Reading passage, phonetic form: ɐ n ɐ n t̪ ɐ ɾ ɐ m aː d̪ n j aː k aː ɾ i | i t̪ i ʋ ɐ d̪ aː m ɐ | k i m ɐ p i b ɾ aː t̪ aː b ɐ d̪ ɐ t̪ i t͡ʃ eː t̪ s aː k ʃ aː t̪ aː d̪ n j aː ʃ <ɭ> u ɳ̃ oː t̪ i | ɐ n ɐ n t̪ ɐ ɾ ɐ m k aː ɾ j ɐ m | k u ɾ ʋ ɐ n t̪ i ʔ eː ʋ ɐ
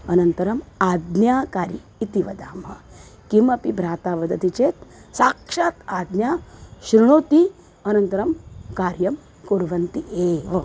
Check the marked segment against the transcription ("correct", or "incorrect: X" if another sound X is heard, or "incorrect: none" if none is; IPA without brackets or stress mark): incorrect: ɾ